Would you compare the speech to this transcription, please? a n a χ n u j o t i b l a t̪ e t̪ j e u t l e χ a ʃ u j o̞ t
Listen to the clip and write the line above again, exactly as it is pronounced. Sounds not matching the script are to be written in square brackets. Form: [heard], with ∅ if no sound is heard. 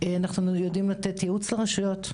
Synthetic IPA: a n a χ n u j o [d] i [m] l a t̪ e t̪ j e u [t͡s] l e [ʁ] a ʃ u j o̞ t